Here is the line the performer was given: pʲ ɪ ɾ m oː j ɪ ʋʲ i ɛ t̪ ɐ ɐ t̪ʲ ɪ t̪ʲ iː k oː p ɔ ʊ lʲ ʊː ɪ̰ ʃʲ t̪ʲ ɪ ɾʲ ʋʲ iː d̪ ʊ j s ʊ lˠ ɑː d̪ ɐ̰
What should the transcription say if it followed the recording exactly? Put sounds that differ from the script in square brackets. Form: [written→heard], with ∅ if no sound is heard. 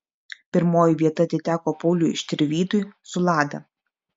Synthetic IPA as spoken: pʲ ɪ ɾ m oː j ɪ ʋʲ i ɛ t̪ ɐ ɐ t̪ʲ ɪ t̪ʲ [iː→æː] k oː p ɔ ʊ lʲ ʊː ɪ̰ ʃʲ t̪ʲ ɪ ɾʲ ʋʲ iː [d̪→t̪] ʊ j s ʊ lˠ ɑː d̪ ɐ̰